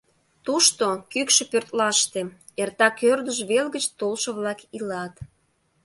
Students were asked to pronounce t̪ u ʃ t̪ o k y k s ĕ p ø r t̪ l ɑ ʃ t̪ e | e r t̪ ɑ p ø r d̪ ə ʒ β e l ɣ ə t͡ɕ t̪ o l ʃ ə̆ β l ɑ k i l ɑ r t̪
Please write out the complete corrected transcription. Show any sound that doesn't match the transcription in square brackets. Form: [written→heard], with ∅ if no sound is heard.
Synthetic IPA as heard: t̪ u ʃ t̪ o k y k [s→ʃ] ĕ p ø r t̪ l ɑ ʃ t̪ e | e r t̪ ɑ [p→k] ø r d̪ ə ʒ β e l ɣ ə t͡ɕ t̪ o l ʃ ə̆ β l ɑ k i l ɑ [r→∅] t̪